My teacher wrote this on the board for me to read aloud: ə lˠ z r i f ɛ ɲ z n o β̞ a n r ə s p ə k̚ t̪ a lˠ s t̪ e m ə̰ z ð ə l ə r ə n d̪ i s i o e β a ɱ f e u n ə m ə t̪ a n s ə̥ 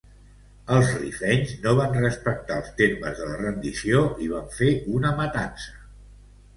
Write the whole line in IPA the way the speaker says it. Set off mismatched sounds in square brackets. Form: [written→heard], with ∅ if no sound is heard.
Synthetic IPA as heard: ə lˠ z r i f ɛ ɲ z n o β̞ a n r ə s p ə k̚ t̪ a lˠ s t̪ e m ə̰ z ð ə l ə r ə n d̪ i s i o [e→i] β a ɱ f e u n ə m ə t̪ a n s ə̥